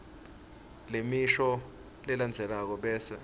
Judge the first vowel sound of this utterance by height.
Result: mid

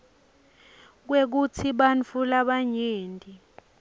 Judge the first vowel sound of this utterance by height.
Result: mid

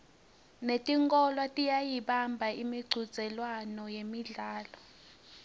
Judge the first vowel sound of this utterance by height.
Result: mid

